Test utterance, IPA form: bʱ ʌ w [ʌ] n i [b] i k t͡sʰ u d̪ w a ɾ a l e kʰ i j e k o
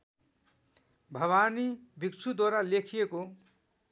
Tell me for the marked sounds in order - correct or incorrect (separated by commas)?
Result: incorrect, correct